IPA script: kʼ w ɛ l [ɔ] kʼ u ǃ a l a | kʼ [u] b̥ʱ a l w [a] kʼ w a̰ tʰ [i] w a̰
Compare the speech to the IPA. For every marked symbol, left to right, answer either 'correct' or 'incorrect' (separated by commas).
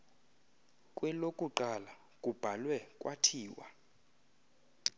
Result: incorrect, correct, incorrect, incorrect